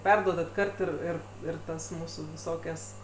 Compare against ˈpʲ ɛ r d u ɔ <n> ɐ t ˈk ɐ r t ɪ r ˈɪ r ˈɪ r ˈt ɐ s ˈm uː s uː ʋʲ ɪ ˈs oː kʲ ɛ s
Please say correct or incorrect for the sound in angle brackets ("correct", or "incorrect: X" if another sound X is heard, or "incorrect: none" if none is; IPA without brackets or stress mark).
incorrect: d